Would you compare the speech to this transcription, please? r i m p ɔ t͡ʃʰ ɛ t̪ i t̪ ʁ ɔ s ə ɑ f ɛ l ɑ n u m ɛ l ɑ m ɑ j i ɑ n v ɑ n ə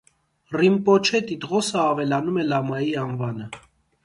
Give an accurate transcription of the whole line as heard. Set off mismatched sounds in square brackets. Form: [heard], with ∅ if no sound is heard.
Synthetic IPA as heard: r i m p ɔ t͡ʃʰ ɛ t̪ i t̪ ʁ ɔ s ə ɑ [v] ɛ l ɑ n u m ɛ l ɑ m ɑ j i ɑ n v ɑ n ə